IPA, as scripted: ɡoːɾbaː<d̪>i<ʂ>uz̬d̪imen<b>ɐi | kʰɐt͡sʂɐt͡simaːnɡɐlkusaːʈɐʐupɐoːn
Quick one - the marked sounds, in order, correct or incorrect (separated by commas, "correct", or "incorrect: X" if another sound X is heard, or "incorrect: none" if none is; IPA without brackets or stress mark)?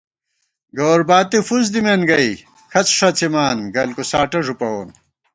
incorrect: t̪, incorrect: f, incorrect: ɡ